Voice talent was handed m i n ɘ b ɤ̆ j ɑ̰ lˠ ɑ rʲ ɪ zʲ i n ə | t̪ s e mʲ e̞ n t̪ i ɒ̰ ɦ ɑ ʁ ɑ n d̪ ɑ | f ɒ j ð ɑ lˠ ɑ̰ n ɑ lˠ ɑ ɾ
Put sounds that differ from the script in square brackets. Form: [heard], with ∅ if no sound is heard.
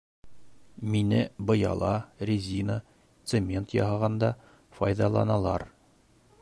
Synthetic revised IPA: m i n ɘ b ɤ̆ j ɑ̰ lˠ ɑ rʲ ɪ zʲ i n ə | t̪ s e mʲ e̞ n t̪ [j] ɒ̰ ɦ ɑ ʁ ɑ n d̪ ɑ | f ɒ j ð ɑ lˠ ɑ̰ n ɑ lˠ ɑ ɾ

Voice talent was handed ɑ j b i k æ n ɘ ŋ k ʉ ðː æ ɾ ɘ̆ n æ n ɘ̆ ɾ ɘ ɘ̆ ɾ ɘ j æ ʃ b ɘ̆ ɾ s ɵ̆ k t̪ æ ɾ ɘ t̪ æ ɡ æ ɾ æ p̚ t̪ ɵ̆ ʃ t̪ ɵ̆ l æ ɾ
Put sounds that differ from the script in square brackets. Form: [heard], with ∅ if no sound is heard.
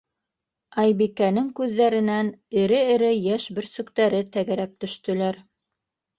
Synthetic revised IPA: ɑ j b i k æ n ɘ ŋ k ʉ ðː æ ɾ ɘ̆ n æ n ɘ̆ ɾ ɘ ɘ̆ ɾ ɘ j æ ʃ b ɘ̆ ɾ s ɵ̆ k t̪ æ ɾ ɘ t̪ æ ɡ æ ɾ æ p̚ t̪ ɵ̆ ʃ t̪ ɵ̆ l æ ɾ

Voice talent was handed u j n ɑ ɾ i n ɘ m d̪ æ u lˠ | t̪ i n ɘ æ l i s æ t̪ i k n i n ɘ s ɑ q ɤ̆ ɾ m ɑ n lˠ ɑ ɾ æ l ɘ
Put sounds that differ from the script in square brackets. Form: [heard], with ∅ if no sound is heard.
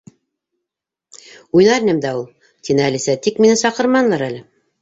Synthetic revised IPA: u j n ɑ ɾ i n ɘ m d̪ æ u lˠ | t̪ i n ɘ æ l i s æ t̪ i k [m] i n ɘ s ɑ q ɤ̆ ɾ m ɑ n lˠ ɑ ɾ æ l ɘ

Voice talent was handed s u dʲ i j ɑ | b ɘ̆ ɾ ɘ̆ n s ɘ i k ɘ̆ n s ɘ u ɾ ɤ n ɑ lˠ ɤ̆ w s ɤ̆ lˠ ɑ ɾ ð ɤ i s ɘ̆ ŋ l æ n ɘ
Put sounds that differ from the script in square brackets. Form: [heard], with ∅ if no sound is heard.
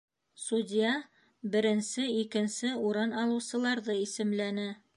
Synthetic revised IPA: s u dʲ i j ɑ | b ɘ̆ ɾ ɘ̆ n s ɘ i k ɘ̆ n s ɘ u ɾ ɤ n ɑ lˠ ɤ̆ w s ɤ̆ lˠ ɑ ɾ ð ɤ i s ɘ̆ [m] l æ n ɘ

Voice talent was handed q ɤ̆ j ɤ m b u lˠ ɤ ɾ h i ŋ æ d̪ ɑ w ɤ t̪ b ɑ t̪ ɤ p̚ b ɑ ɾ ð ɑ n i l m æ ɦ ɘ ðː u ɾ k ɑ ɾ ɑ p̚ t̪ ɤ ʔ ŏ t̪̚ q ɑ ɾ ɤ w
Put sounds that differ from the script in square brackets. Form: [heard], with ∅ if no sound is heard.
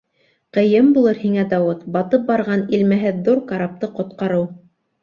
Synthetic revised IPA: q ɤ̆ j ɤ m b u lˠ ɤ ɾ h i ŋ æ d̪ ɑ w ɤ t̪ b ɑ t̪ ɤ p̚ b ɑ ɾ [ʁ] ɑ n i l m æ ɦ ɘ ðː u ɾ k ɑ ɾ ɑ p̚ t̪ ɤ [q] ŏ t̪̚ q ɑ ɾ ɤ w

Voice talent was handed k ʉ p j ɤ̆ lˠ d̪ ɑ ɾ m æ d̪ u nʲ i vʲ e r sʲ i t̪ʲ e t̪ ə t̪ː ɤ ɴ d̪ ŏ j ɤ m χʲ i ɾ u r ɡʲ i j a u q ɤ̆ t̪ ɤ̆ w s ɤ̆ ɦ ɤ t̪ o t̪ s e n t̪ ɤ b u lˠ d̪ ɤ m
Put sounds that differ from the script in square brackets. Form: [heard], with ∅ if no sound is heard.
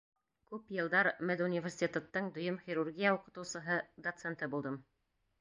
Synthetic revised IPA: k ʉ p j ɤ̆ lˠ d̪ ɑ ɾ m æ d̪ u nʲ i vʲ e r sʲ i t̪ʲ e t̪ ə t̪ː ɤ ɴ d̪ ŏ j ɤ m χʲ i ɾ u r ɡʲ i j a u q ɤ̆ t̪ ɤ̆ w s ɤ̆ ɦ ɤ [d̪] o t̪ s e n t̪ ɤ b u lˠ d̪ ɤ m

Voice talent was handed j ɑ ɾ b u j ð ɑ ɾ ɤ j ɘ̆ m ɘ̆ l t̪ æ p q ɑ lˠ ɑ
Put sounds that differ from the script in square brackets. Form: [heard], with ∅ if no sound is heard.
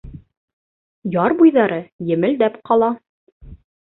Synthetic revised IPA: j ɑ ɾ b u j ð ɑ ɾ ɤ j ɘ̆ m ɘ̆ l [d̪] æ p q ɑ lˠ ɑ

